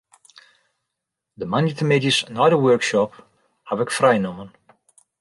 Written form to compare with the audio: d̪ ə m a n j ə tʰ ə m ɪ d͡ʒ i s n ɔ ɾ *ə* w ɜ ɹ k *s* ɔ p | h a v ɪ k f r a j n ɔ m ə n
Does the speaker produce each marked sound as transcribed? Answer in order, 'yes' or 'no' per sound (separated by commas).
yes, no